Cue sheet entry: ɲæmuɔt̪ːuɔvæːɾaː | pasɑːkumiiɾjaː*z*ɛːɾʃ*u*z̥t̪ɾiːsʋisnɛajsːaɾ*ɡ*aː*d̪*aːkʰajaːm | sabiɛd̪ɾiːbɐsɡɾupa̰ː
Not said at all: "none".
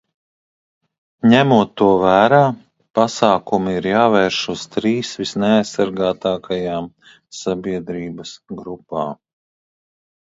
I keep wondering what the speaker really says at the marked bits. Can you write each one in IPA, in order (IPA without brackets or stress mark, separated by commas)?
v, u, ɡ, t̪